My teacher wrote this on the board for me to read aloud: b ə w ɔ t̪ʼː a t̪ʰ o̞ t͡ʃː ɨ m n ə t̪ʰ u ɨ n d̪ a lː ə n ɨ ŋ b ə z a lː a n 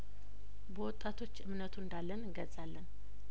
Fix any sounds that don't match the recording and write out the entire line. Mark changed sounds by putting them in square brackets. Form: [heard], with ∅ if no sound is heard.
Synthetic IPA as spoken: b ə w ɔ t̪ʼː a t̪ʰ o̞ t͡ʃː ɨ m n ə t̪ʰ u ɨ n d̪ a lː ə n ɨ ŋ [ɡ] ə z a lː [ə] n